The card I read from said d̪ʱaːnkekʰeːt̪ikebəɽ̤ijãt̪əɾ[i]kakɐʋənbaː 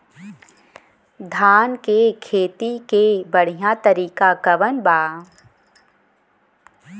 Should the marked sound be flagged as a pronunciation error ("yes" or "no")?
yes